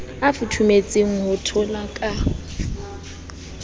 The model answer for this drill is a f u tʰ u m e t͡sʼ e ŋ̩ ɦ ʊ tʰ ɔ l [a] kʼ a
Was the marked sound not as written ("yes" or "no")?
no